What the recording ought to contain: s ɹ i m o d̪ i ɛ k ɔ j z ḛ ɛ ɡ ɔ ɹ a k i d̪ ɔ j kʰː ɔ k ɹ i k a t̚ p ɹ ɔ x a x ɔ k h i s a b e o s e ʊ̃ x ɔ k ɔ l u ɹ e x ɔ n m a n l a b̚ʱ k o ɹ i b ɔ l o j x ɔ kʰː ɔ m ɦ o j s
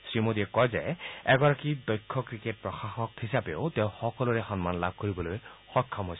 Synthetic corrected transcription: s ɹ i m o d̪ i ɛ k ɔ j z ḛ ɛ ɡ ɔ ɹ a k i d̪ ɔ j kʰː ɔ k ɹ i k e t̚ p ɹ ɔ x a x ɔ k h i s a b e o t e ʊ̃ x ɔ k ɔ l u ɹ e x ɔ n m a n l a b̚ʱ k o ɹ i b ɔ l o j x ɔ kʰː ɔ m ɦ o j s